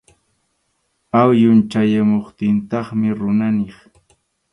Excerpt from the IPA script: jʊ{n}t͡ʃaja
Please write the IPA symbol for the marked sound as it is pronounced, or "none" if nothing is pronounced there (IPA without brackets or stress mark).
n